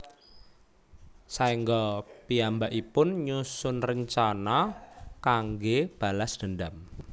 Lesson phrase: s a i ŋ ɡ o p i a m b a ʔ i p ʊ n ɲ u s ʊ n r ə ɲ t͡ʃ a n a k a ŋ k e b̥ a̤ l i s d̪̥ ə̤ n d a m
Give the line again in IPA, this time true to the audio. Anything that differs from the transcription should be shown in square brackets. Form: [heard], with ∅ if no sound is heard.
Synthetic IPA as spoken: s a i ŋ ɡ [ɔ] p i a m b a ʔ i p ʊ n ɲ u s ʊ n r ə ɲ t͡ʃ a n a k a ŋ [ɡ] e b̥ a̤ l [a] s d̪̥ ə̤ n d a m